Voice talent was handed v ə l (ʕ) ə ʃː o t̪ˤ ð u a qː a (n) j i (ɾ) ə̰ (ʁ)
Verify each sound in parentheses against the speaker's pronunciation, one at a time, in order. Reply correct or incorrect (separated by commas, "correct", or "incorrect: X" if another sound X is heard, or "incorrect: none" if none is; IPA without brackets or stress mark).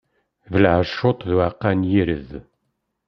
correct, correct, correct, incorrect: ð